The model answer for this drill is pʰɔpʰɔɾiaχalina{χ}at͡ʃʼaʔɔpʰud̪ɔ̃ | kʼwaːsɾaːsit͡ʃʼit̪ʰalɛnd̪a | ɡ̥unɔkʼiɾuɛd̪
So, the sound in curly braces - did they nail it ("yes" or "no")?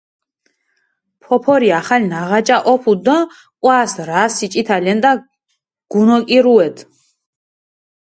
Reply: no